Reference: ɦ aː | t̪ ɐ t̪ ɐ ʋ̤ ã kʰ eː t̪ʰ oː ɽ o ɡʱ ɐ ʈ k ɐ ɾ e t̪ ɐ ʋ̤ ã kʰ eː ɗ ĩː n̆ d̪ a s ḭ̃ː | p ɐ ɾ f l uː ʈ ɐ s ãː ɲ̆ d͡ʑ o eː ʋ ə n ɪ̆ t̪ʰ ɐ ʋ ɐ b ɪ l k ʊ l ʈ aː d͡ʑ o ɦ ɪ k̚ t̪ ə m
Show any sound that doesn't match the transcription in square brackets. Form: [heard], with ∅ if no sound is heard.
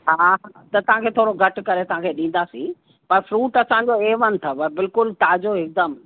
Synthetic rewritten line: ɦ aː | t̪ ɐ t̪ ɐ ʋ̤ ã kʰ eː t̪ʰ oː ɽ o ɡʱ ɐ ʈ k ɐ ɾ e t̪ ɐ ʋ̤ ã kʰ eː ɗ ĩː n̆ d̪ a s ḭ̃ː | p ɐ ɾ f [ɾ] uː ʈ ɐ s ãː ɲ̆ d͡ʑ o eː ʋ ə n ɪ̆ t̪ʰ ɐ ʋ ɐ b ɪ l k ʊ l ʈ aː d͡ʑ o ɦ ɪ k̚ [d̪] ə m